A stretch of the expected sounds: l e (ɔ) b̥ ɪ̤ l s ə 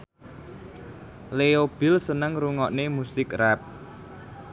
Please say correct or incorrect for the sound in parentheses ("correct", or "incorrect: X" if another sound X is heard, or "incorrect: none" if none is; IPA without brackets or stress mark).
incorrect: o